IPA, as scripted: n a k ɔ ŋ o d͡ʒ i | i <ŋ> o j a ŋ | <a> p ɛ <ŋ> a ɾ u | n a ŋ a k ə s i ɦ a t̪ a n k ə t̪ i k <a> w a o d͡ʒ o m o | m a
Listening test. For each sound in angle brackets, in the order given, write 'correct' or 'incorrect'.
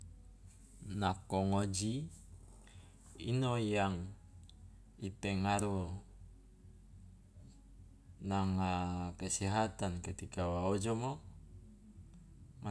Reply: incorrect: n, incorrect: i, correct, correct

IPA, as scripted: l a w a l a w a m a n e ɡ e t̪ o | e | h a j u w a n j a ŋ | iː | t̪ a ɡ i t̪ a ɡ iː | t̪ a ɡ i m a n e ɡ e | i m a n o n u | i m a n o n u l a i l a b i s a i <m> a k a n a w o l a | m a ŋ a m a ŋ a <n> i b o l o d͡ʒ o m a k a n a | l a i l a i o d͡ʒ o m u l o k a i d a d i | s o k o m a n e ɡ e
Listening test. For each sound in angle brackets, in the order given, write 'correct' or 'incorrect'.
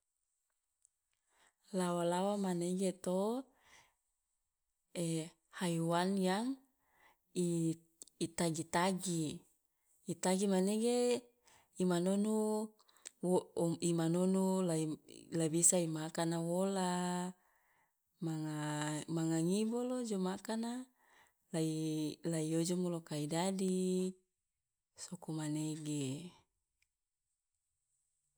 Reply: correct, incorrect: ŋ

